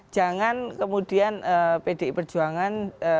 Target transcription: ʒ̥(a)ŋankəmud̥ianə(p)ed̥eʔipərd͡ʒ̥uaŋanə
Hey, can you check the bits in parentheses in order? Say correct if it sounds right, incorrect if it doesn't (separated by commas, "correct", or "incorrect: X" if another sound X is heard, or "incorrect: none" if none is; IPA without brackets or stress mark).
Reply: correct, correct